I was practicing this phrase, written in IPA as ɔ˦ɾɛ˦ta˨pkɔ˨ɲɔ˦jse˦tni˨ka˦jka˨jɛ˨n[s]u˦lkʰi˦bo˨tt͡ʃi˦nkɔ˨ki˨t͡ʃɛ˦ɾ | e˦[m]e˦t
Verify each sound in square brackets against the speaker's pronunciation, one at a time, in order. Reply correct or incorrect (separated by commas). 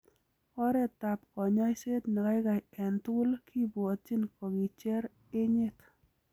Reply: incorrect, incorrect